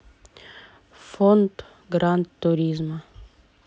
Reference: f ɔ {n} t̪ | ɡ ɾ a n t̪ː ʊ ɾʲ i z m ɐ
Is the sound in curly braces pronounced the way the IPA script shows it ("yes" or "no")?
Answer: yes